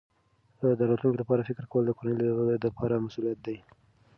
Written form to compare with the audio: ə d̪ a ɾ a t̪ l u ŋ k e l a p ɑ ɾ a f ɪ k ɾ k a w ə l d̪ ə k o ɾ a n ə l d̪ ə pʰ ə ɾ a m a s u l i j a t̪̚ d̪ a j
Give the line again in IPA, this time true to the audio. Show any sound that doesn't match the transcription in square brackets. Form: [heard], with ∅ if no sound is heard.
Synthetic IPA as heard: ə d̪ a ɾ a t̪ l u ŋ k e l a p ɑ ɾ a f ɪ k ɾ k a w ə l d̪ ə k o ɾ a n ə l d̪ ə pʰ [ɑ] ɾ a m a s u l i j a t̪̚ d̪ a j